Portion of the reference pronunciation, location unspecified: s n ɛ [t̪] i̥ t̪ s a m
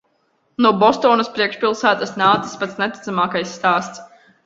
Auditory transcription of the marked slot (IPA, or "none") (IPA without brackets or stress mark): t̪